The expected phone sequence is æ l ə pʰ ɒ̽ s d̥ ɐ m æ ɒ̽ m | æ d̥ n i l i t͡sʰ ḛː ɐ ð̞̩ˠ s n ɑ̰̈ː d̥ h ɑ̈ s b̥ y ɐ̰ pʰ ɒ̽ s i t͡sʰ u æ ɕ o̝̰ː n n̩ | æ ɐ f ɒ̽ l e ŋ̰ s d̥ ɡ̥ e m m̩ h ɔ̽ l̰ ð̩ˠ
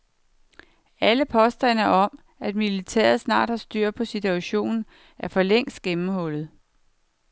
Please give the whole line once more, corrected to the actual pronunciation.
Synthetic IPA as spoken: æ l ə pʰ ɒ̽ s d̥ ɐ n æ ɒ̽ m | æ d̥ m i l i t͡sʰ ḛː ɐ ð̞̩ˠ s n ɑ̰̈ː d̥ h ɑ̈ s d̥ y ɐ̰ pʰ ɒ̽ s i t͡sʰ u æ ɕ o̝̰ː n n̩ | æ ɐ f ɒ̽ l e ŋ̰ s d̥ ɡ̥ e m m̩ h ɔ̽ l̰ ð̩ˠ